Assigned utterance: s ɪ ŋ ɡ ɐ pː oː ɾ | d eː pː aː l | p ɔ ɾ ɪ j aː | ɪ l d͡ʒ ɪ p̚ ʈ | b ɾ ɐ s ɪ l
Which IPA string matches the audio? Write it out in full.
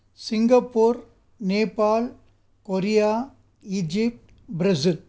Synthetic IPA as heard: s ɪ ŋ ɡ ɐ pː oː ɾ | n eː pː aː l | k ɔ ɾ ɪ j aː | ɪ d͡ʒ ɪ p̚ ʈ | b ɾ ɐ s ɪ l